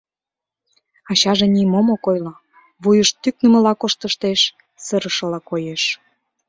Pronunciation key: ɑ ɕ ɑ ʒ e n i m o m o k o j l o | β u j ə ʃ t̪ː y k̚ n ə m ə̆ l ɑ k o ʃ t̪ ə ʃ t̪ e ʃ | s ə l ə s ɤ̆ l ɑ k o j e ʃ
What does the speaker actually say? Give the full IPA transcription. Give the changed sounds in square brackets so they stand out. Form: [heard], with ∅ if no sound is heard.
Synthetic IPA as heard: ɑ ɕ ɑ ʒ e n i m o m o k o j l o | β u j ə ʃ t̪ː y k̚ n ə m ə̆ l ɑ k o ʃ t̪ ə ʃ t̪ e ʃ | s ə [ɾ] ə [ʃ] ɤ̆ l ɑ k o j e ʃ